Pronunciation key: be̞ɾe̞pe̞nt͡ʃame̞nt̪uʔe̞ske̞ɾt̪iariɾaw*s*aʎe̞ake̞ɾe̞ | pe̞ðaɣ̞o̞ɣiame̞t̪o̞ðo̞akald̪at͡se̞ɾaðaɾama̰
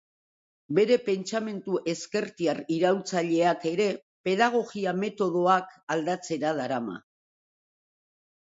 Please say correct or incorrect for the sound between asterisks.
incorrect